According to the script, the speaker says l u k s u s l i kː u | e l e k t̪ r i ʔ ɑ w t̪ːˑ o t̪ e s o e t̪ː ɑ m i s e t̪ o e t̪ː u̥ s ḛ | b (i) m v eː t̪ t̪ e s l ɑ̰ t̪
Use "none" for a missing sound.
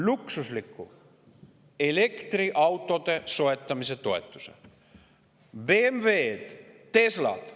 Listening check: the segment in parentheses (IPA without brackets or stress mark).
e